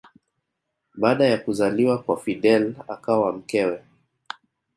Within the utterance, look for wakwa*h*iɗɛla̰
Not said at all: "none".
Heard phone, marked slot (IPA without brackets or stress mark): f